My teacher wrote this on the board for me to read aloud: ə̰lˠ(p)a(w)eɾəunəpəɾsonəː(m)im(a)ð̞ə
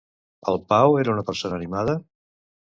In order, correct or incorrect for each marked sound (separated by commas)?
correct, correct, incorrect, correct